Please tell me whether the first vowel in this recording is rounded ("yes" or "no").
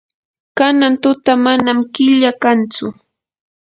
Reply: no